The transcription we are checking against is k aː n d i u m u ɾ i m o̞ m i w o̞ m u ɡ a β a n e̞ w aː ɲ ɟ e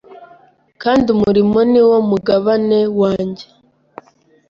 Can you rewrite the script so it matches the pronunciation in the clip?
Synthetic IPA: k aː n d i u m u ɾ i m o̞ n i w o̞ m u ɡ a β a n e̞ w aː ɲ ɟ e